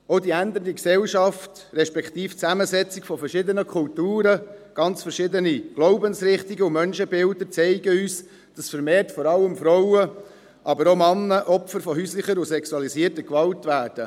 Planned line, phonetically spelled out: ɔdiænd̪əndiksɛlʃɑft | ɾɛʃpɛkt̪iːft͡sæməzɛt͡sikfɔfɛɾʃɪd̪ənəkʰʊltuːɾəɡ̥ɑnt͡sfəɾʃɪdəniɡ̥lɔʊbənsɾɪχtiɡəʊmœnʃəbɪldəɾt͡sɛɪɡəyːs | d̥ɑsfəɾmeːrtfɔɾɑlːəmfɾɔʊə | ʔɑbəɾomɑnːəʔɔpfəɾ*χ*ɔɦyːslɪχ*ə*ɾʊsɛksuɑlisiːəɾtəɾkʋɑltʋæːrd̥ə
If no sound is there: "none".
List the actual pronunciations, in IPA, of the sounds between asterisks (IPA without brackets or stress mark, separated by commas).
f, ə